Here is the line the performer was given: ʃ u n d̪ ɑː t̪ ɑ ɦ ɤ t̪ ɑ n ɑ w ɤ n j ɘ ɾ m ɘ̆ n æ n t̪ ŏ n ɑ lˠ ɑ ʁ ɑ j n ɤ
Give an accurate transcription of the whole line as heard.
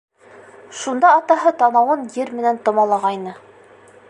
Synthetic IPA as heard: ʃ u n d̪ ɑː t̪ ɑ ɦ ɤ t̪ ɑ n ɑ w ɤ n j ɘ ɾ m ɘ̆ n æ n t̪ ŏ m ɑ lˠ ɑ ʁ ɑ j n ɤ